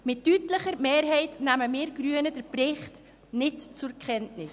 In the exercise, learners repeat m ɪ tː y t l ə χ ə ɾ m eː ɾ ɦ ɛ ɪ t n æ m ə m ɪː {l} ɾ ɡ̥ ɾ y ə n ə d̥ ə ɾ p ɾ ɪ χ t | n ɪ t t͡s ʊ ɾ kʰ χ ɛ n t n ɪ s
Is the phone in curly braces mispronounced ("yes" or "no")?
yes